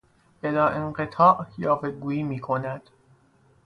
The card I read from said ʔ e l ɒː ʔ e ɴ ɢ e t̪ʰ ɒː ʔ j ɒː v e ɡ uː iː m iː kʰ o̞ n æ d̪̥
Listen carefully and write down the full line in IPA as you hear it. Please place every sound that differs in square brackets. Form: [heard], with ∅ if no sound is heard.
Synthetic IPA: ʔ e l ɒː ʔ e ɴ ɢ e t̪ʰ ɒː ʔ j ɒː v e ɡ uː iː m iː kʰ o̞ n æ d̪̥